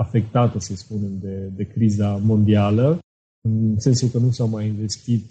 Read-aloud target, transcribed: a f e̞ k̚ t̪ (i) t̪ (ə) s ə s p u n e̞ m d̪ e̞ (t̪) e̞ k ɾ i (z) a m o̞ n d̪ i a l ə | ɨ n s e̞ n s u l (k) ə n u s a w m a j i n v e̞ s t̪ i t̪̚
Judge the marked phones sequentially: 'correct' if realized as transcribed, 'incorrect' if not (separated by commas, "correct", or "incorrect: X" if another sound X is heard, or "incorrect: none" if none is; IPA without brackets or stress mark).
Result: incorrect: a, correct, incorrect: d̪, correct, correct